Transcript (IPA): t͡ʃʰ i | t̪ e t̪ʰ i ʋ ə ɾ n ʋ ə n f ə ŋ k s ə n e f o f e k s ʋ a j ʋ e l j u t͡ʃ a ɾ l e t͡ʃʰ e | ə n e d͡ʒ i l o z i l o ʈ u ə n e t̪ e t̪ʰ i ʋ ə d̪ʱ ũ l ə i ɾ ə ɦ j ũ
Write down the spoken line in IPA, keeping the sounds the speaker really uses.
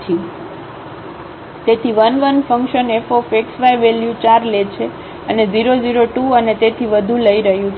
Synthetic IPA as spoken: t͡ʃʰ i | t̪ e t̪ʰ i ʋ ə n ʋ ə n f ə ŋ k ʃ ə n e f o f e k s ʋ a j ʋ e l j u t͡ʃ a ɾ l e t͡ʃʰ e | ə n e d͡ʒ i ɾ o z i ɾ o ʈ u ə n e t̪ e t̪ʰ i ʋ ə d̪ʱ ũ l ə i ɾ ə ɦ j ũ